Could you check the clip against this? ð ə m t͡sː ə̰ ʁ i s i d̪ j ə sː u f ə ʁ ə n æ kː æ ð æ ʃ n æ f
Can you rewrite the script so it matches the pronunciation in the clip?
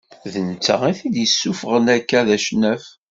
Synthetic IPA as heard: ð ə n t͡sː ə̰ ʁ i θ i d̪ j ə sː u f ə ʁ ə n æ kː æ ð æ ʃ n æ f